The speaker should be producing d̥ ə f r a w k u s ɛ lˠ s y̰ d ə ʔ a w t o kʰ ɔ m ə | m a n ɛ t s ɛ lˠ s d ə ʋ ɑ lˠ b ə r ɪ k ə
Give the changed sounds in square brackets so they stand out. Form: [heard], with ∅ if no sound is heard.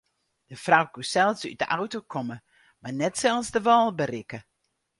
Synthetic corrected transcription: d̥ ə f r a w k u s ɛ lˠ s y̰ d ə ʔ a w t o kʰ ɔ m ə | m a n ɛ t s ɛ lˠ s d ə ʋ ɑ lˠ b ə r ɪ k ə

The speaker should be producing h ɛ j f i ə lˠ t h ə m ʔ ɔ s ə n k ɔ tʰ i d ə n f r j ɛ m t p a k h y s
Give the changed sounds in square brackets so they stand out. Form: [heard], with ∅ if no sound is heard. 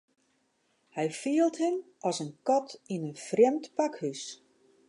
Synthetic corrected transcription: h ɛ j f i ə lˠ t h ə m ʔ ɔ s ə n k ɔ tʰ i [n] ə n f r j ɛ m t p a k h y s

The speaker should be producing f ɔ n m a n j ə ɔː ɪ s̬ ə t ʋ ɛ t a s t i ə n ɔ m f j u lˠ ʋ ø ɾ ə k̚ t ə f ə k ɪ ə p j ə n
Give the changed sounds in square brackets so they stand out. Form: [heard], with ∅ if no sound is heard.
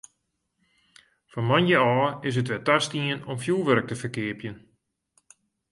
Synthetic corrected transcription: f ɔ n m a n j ə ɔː ɪ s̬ ə t ʋ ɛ t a s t i ə n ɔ m f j u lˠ ʋ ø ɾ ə k̚ t ə f ə k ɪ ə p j ə n

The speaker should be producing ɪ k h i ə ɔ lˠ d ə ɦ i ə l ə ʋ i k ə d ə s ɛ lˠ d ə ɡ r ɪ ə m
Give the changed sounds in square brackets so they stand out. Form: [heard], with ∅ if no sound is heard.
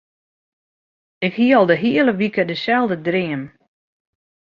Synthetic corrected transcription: ɪ k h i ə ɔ lˠ d ə ɦ i ə l ə ʋ i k ə d ə s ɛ lˠ d ə [d] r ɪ ə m

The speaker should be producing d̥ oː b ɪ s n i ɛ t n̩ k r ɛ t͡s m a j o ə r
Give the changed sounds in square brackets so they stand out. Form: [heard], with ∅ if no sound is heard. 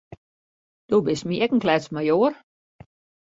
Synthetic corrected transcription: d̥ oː b ɪ s [m] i ɛ [k] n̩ k [l] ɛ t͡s m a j o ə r

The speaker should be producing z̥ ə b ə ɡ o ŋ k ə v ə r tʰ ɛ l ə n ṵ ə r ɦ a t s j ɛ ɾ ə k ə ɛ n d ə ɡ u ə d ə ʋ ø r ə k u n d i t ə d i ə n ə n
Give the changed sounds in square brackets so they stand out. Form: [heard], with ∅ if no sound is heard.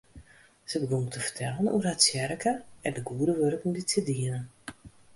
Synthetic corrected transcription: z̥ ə b ə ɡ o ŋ [t] ə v ə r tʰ ɛ l ə n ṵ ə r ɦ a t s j ɛ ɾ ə k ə ɛ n d ə ɡ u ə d ə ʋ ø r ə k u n d i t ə d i ə n ə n

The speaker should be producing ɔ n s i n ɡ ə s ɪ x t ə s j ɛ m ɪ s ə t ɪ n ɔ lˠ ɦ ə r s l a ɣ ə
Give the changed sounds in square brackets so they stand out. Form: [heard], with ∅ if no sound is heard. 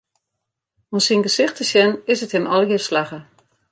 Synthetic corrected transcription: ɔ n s i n ɡ ə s ɪ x t ə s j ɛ [n] ɪ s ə t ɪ n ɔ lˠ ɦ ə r s l a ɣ ə

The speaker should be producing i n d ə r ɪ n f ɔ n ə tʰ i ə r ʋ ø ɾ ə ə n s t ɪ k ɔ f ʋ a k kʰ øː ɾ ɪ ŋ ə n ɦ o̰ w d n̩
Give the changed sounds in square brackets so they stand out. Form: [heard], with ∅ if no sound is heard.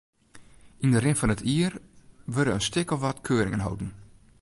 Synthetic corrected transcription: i n d ə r ɪ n f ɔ n ə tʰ i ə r ʋ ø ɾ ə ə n s t ɪ k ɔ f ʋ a [t] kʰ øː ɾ ɪ ŋ ə n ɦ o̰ w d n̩

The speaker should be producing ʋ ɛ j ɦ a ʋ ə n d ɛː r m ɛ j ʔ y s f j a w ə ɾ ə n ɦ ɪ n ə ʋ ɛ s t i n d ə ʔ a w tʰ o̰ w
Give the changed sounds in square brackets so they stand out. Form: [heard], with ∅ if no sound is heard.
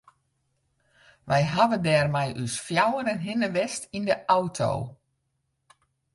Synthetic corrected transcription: ʋ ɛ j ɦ a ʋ ə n d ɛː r m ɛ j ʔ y s f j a w ə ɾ ə n ɦ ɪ n ə ʋ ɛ s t i n d ə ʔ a w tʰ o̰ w

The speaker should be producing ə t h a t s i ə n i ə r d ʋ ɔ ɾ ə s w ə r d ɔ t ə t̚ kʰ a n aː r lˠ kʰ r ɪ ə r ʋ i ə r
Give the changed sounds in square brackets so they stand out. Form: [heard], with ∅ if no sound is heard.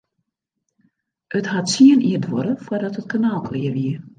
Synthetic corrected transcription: ə t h a t s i ə n i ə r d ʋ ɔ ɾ ə [f] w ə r d ɔ t ə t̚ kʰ a n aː [∅] lˠ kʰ [l] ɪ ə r ʋ i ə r

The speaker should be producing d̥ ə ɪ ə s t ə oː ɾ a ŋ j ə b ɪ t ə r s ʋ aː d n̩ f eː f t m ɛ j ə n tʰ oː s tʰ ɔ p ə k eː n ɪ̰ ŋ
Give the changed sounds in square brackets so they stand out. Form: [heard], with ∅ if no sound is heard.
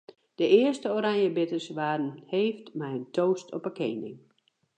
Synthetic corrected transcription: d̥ ə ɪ ə s t ə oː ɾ a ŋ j ə b ɪ t ə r s ʋ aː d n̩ [h] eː f t m ɛ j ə n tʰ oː s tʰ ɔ p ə k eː n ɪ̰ ŋ

